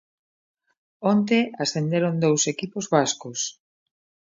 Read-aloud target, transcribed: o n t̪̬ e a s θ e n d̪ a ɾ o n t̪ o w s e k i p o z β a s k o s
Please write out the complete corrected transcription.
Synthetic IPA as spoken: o n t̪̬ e a s θ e n d̪ e ɾ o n d̪ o w s e k i p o z β a s k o s